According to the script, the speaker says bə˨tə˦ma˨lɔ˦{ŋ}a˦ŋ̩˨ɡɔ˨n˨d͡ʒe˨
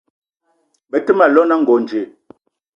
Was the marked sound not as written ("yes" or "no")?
yes